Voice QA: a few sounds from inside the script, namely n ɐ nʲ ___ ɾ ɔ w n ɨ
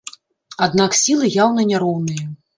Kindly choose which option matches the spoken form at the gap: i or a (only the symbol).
a